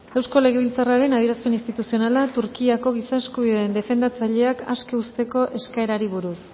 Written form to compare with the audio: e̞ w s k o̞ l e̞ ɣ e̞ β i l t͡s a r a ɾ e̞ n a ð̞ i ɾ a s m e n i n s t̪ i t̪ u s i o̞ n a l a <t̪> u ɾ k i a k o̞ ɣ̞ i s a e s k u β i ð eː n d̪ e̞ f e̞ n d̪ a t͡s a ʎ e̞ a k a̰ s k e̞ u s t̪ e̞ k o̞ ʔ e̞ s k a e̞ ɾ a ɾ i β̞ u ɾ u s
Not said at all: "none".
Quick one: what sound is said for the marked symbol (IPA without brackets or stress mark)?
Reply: t̪